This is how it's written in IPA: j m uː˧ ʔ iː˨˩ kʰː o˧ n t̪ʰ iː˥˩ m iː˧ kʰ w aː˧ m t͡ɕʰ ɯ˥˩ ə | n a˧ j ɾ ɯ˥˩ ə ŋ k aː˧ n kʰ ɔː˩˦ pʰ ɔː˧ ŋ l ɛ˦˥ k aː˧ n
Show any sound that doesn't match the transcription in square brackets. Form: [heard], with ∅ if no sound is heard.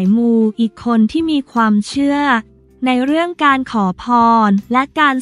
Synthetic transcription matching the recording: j m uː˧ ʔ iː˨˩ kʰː o˧ n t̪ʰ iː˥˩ m iː˧ kʰ w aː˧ m t͡ɕʰ ɯ˥˩ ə | n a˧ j ɾ ɯ˥˩ ə ŋ k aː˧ n kʰ ɔː˩˦ pʰ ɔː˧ [n] l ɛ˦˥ k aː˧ n